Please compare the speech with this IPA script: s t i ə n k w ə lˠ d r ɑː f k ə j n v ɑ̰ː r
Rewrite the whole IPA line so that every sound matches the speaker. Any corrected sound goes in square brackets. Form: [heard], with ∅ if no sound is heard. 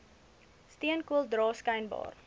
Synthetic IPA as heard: s t i ə n k [u] ə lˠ d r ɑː [s] k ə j n [b] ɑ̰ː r